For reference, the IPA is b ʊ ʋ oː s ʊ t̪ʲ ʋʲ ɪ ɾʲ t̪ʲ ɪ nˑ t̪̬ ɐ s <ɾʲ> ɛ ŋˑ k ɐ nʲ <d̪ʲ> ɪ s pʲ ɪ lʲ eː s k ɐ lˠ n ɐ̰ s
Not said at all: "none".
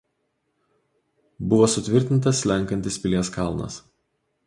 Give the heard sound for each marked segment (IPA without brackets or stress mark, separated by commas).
lʲ, t̪ʲ